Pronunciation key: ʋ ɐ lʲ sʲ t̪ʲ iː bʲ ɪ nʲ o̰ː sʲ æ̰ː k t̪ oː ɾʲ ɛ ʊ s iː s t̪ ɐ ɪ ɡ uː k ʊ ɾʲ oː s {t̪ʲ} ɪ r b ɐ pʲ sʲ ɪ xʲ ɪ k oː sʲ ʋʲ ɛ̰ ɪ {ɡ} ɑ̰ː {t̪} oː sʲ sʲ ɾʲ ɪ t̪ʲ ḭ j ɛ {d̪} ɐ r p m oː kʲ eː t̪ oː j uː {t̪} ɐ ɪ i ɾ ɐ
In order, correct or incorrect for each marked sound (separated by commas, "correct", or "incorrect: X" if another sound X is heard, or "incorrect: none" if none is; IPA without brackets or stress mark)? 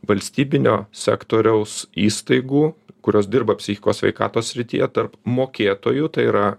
incorrect: d̪ʲ, incorrect: k, correct, incorrect: t̪, correct